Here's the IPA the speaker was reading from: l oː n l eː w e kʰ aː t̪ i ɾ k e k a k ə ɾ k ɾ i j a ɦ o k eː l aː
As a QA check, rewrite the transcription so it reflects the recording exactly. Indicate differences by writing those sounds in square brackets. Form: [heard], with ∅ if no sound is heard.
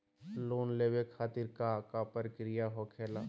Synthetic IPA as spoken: l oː n l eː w e kʰ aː t̪ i ɾ k [a] k a [p] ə ɾ k ɾ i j a ɦ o [kʰ] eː l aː